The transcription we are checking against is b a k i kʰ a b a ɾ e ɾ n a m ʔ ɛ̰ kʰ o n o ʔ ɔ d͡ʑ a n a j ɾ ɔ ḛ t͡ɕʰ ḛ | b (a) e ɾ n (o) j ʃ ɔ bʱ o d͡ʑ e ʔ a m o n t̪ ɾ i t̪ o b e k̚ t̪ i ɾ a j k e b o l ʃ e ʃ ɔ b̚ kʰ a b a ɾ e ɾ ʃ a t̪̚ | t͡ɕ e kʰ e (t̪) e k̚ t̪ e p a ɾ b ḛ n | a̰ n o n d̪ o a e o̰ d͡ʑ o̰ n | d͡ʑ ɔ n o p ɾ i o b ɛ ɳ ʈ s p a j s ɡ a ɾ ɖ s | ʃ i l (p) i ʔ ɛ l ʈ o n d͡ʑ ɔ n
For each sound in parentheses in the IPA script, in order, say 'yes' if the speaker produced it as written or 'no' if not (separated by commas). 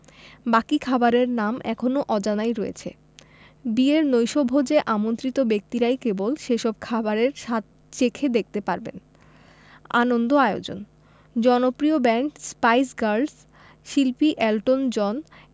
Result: no, yes, no, yes